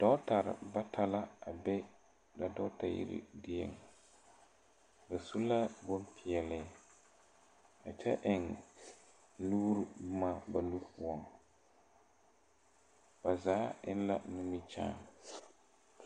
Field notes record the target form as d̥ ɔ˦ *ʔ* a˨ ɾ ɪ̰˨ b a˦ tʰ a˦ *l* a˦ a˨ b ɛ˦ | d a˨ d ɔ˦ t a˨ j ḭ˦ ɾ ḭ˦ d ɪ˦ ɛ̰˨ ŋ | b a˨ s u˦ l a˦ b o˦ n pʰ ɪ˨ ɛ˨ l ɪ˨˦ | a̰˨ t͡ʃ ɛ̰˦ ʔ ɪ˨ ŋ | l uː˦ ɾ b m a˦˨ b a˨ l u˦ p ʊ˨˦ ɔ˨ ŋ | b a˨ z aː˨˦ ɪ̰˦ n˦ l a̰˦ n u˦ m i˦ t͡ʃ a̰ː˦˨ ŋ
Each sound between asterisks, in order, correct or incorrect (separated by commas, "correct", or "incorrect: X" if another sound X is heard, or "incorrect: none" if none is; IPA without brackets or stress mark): incorrect: t, correct